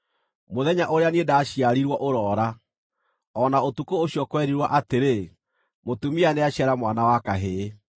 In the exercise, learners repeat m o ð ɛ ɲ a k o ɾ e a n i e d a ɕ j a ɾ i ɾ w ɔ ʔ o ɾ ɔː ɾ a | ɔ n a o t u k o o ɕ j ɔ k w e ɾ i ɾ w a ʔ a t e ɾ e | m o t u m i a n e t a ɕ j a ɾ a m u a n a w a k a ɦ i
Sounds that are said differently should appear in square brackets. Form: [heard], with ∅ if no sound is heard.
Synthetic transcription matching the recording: m o ð ɛ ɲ a [ʔ] o ɾ e a n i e d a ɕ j a ɾ i ɾ w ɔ ʔ o ɾ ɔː ɾ a | ɔ n a o t u k o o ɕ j ɔ k w [ɛ] ɾ i ɾ w a ʔ a t e ɾ e | m o t u m i a n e [∅] a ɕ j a ɾ a m [w] a n a w a k a ɦ [e]